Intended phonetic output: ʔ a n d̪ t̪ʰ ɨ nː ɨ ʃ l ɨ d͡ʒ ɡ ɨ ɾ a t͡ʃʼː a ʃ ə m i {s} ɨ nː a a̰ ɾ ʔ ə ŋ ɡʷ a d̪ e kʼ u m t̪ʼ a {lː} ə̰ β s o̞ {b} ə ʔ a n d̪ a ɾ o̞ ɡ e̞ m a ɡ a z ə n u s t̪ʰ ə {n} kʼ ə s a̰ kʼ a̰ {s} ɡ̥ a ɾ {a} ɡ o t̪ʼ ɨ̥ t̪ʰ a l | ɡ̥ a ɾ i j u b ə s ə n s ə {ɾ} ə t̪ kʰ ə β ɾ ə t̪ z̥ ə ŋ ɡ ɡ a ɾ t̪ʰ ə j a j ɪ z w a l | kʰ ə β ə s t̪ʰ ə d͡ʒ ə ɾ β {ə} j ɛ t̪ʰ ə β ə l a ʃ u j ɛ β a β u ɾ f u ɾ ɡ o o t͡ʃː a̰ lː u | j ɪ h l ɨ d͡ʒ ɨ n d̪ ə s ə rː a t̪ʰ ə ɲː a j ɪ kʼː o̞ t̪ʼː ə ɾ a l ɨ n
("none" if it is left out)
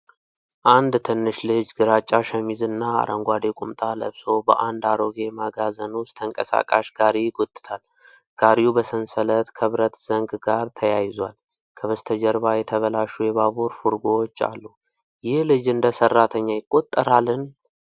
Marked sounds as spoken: z, l, b, ŋ, ʃ, i, l, a

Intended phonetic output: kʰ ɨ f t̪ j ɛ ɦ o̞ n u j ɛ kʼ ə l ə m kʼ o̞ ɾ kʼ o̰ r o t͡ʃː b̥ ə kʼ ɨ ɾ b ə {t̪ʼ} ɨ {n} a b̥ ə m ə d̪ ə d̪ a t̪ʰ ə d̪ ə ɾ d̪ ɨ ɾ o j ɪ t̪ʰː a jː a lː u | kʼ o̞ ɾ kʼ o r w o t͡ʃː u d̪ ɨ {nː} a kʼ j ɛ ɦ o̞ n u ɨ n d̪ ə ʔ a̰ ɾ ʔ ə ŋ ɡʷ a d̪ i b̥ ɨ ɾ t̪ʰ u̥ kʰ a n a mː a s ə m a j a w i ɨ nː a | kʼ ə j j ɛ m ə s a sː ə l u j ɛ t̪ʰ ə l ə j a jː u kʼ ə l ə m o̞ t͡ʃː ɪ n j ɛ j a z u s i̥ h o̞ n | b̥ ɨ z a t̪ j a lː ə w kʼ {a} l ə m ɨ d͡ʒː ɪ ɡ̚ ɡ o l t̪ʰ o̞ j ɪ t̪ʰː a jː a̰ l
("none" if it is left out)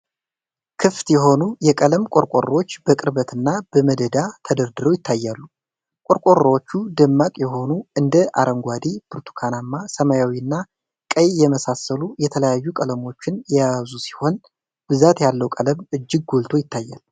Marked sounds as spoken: t̪, nː, mː, ə

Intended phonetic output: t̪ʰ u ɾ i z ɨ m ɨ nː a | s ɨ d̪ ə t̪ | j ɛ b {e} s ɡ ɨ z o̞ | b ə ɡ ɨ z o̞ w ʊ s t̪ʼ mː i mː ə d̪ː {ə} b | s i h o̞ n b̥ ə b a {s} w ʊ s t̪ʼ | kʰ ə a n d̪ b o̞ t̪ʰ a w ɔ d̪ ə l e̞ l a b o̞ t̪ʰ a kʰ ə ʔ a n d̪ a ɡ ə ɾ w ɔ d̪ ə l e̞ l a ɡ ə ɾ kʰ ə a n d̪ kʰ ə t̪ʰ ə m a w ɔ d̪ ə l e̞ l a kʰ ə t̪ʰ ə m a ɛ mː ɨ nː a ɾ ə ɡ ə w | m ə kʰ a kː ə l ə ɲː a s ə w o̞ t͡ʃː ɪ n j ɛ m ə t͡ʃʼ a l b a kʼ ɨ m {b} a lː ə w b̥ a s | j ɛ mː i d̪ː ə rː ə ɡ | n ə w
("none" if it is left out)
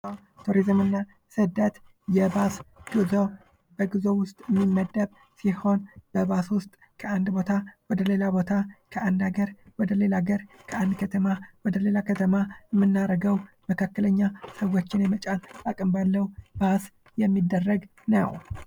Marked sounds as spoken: a, ə, s, b

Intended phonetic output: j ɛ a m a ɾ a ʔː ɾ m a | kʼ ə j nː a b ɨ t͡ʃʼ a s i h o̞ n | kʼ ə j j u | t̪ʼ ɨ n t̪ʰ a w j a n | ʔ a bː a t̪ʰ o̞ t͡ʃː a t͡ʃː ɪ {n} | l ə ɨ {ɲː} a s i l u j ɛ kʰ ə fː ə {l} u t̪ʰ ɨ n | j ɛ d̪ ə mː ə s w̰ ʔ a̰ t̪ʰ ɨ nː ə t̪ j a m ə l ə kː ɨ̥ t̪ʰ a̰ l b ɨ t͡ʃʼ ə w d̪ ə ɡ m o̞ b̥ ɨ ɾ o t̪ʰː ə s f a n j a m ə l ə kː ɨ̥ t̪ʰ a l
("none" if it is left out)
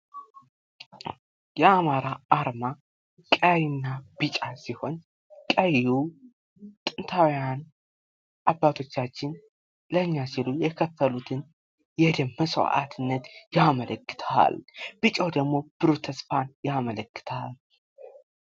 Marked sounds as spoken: n, ɲː, l

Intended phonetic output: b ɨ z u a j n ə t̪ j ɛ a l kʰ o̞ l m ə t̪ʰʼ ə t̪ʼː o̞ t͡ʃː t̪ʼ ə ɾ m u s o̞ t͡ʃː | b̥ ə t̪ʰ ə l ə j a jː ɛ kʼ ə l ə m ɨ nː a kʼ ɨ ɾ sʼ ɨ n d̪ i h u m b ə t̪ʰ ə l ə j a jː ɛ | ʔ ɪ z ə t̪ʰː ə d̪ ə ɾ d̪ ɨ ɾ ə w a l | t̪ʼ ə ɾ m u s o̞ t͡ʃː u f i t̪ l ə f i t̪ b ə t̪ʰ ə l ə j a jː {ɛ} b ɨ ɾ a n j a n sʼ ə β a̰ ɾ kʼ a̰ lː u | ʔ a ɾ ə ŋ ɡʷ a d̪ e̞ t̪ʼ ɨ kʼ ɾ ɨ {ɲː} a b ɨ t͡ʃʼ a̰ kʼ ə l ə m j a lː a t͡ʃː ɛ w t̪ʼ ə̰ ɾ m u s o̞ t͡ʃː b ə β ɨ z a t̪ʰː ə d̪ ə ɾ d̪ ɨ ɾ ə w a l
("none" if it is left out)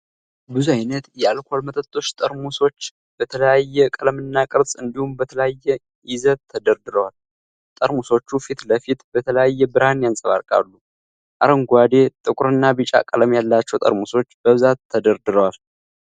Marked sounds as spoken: ɛ, nː

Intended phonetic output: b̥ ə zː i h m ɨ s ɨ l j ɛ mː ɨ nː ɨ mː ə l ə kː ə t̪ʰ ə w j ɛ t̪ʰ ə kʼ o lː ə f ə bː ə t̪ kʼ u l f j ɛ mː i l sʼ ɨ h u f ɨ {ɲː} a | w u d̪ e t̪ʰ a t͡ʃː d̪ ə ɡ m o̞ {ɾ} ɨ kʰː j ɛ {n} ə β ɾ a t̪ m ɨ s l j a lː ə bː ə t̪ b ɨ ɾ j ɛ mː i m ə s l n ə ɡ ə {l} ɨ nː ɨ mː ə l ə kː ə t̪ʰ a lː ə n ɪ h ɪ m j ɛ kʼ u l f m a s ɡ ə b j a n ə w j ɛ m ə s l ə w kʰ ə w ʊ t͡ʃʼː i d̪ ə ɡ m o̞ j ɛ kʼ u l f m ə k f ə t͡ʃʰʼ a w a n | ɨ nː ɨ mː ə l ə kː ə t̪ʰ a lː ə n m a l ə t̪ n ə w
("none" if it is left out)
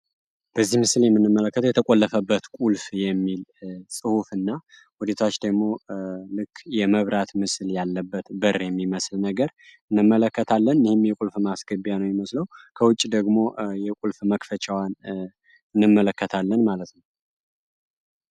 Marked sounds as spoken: nː, l, m, ɾ

